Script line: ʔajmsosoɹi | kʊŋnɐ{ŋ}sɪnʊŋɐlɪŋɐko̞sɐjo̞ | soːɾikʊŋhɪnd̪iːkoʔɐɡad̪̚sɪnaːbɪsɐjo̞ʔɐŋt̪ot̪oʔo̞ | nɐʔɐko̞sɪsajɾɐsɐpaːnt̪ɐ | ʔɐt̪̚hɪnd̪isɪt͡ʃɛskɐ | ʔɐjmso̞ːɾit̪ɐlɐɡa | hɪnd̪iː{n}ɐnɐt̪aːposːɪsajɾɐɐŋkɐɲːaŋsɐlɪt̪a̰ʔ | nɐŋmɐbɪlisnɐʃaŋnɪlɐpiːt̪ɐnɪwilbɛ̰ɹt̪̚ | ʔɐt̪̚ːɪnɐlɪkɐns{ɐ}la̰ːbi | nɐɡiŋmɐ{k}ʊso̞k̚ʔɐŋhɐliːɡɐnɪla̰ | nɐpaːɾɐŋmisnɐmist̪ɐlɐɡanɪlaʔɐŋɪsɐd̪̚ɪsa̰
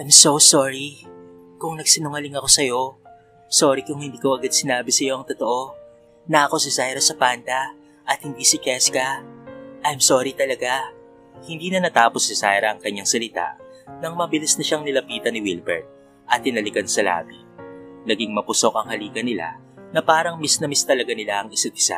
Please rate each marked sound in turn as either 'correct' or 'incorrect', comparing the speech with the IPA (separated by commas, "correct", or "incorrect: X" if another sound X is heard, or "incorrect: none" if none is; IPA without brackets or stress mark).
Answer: incorrect: ɡ, correct, correct, incorrect: p